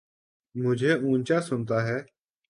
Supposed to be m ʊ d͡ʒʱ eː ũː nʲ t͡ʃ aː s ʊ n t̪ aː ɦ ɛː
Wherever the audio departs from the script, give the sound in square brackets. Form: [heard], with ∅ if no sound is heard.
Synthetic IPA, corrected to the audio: m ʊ d͡ʒʱ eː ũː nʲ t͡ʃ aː s ʊ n t̪ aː ɦ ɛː